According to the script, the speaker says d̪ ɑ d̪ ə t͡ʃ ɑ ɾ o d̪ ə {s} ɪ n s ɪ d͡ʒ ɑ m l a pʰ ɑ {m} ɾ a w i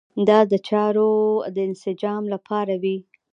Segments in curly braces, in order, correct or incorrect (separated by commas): incorrect, incorrect